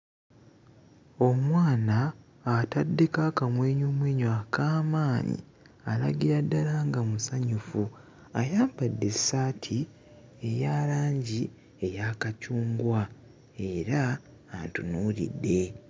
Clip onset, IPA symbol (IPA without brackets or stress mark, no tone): o̞